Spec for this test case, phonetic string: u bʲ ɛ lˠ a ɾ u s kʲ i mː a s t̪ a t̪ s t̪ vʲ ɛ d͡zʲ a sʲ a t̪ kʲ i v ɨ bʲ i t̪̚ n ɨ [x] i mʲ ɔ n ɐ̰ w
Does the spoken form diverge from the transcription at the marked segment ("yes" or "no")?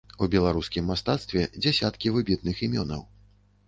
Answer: no